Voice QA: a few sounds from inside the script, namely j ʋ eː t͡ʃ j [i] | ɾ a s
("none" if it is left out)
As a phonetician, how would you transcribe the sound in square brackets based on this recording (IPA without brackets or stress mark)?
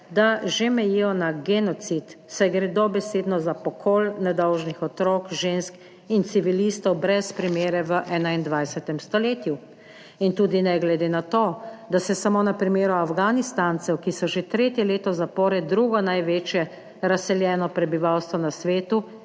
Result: ɛ